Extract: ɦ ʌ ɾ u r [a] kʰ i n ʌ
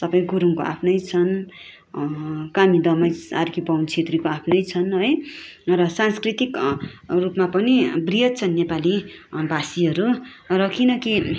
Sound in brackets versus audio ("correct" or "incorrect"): incorrect